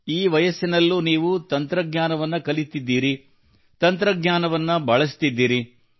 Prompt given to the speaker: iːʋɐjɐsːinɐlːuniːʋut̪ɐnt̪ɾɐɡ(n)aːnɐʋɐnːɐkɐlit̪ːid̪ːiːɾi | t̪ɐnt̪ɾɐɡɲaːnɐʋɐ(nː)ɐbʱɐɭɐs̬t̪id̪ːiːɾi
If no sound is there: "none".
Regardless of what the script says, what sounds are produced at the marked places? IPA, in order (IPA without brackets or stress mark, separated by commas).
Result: ɲ, nː